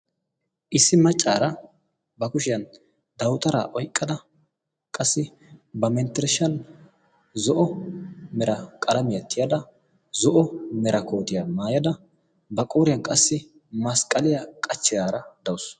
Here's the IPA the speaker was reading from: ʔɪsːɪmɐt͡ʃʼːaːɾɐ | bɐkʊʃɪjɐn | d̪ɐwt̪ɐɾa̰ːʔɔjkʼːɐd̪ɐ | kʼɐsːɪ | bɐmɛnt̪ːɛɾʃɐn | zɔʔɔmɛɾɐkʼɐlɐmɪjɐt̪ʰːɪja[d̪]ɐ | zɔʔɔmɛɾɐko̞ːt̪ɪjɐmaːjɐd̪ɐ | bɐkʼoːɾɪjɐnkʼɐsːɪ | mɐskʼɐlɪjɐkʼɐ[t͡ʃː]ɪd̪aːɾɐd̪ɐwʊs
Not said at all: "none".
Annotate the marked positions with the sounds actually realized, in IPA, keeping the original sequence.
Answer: d̪, t͡ʃː

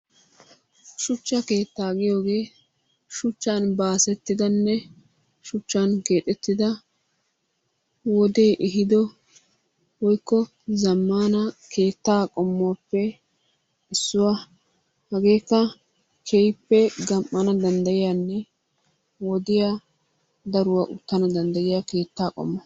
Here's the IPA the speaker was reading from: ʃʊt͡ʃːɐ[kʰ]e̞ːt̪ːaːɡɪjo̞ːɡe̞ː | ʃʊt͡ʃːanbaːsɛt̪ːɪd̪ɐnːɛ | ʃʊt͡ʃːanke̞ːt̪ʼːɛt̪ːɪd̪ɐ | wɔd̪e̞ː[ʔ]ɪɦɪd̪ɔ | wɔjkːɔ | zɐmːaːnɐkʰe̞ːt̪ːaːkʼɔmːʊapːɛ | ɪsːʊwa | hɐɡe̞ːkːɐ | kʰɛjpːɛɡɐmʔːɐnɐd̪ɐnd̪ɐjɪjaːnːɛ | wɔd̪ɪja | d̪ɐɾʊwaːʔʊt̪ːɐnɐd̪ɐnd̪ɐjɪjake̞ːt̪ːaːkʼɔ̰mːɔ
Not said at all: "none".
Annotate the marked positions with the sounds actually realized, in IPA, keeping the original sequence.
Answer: k, ʔ

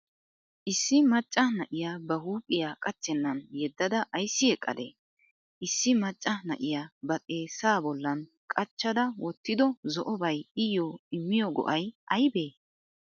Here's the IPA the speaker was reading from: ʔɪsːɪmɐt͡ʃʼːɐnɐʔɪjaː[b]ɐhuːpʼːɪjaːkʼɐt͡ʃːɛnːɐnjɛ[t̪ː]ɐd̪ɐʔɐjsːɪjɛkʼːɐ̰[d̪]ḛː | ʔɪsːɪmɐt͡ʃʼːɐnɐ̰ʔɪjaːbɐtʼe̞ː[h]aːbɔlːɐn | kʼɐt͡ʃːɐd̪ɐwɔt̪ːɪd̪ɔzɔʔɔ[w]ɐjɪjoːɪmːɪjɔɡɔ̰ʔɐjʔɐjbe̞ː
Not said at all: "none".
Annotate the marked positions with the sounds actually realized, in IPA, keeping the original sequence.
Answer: b, d̪ː, d̪, s, b

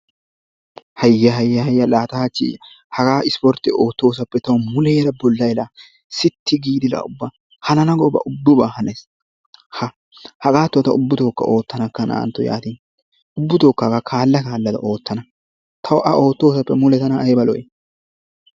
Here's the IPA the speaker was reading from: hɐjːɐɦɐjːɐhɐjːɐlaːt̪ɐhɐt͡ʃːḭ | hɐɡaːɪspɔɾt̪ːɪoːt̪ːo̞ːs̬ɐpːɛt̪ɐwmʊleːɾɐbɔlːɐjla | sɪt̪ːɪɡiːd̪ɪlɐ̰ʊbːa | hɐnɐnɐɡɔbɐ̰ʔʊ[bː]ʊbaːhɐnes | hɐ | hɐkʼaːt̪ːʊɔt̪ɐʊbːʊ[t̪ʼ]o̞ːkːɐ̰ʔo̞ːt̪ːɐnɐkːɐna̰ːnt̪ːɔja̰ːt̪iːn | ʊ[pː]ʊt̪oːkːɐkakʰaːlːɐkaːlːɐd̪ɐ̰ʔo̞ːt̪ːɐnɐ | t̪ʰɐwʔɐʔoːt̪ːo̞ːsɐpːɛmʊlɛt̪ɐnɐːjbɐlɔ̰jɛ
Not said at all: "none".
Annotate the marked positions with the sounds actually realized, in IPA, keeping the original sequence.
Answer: bː, t̪, bː

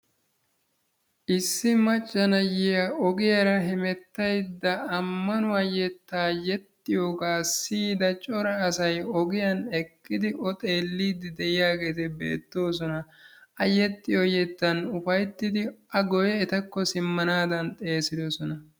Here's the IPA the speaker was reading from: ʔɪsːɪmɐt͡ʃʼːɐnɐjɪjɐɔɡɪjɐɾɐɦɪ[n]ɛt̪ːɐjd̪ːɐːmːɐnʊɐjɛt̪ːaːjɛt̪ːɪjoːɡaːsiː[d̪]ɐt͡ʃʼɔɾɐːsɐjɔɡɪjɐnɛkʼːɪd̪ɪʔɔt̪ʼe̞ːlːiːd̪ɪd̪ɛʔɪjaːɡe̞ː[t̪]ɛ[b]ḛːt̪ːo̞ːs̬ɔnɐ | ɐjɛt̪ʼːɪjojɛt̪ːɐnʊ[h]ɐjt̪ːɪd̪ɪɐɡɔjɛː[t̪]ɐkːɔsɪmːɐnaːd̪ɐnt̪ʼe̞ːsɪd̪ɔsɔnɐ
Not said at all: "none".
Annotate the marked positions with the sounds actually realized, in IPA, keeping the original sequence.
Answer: m, d̪, t̪, b, f, t̪

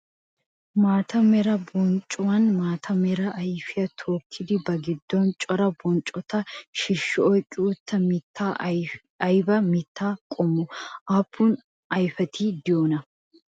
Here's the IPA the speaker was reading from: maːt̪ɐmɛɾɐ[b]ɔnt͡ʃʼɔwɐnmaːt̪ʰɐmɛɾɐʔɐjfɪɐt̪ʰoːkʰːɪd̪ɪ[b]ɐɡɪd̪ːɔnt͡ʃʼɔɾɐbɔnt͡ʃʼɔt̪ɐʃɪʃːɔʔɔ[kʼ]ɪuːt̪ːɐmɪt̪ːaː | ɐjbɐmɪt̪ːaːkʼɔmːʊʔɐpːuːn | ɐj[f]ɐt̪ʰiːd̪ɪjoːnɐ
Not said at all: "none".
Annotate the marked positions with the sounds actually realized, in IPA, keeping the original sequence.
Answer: b, b, kʼ, f

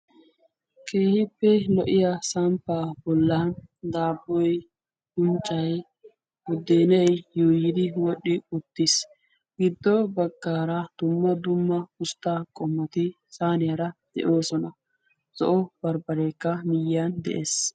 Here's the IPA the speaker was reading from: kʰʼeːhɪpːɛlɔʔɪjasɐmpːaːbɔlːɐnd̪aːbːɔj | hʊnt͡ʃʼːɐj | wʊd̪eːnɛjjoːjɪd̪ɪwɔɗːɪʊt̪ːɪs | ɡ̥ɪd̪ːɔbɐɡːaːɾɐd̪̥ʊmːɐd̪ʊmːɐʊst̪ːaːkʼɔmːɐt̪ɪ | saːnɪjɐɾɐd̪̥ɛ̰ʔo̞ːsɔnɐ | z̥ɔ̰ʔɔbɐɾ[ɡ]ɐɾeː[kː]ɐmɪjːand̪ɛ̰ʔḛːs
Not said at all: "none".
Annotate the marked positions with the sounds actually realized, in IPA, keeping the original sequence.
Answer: b, kː

